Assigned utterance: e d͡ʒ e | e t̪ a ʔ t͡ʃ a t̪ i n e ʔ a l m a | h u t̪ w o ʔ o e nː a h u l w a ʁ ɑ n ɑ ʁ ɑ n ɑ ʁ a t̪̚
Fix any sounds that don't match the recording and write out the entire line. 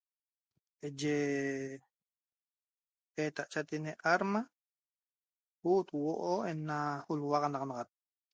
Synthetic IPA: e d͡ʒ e | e t̪ a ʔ t͡ʃ a t̪ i n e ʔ a ɾ m a | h u t̪ w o ʔ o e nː a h u l w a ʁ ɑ n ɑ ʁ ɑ n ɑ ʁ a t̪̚